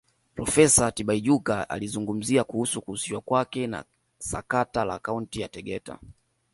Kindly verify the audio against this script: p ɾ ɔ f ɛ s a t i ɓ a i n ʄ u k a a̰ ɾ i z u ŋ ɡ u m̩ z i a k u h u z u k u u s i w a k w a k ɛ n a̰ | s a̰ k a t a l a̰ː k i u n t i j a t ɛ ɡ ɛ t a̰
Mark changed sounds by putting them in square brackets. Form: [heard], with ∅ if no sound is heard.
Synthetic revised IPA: p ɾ ɔ f ɛ s a t i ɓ a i [∅] ʄ u k a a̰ [l] i z u ŋ ɡ u m̩ z i a k u h u [s] u k u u s i w a k w a k ɛ n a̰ | s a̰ k a t a l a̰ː k [a] u n t i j a t ɛ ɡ ɛ t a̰